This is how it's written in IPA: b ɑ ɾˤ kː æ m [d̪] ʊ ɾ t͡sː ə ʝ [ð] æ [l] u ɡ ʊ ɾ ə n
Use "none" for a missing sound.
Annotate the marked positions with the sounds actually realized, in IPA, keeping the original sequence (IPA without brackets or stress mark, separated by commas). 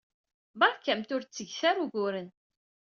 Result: t̪, θ, ɾ